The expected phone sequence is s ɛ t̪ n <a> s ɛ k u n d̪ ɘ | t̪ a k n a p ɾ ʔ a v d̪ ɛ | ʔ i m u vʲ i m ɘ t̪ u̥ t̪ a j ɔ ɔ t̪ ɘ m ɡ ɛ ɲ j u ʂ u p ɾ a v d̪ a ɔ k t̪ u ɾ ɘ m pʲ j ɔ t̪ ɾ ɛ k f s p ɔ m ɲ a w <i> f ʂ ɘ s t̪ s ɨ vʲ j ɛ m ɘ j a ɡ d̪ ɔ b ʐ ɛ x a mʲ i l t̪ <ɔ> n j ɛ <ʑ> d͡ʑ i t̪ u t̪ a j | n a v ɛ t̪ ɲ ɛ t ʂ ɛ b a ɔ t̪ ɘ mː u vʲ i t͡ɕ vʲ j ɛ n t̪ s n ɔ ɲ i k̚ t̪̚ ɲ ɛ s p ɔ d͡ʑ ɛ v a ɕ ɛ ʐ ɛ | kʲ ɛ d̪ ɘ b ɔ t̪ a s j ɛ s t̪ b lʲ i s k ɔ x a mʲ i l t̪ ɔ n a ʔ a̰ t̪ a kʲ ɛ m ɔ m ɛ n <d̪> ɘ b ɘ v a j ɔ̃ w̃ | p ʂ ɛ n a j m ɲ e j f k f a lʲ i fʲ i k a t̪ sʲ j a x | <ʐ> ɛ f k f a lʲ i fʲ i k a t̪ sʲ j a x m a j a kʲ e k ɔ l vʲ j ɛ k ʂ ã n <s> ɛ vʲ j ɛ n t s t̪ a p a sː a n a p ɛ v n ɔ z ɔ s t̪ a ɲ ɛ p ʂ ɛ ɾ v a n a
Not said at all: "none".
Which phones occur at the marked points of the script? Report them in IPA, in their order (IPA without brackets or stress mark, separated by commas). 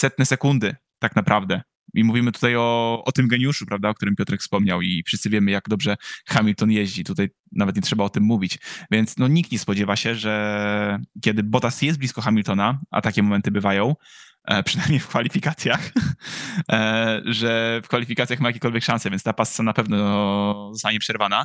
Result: ɛ, i, ɔ, ʑ, t̪, ʐ, s